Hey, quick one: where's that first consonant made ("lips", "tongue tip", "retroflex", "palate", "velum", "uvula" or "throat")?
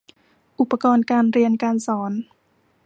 throat